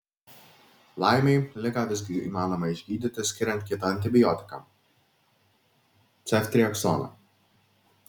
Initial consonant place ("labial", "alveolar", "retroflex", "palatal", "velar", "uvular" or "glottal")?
alveolar